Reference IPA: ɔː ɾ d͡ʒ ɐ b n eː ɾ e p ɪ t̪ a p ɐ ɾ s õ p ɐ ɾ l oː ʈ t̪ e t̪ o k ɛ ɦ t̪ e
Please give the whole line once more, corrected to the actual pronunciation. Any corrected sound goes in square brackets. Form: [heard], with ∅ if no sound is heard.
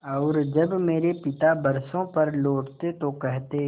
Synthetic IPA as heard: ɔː ɾ d͡ʒ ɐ b [m] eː ɾ e p ɪ t̪ a [b] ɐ ɾ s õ p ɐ ɾ l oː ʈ t̪ e t̪ o k ɛ ɦ t̪ e